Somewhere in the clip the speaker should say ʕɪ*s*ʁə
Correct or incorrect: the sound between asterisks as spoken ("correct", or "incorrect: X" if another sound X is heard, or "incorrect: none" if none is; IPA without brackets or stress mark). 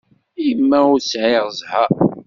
incorrect: none